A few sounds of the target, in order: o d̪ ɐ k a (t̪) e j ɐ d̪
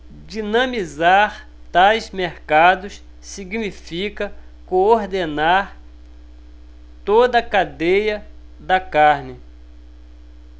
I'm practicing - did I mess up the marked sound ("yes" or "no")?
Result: yes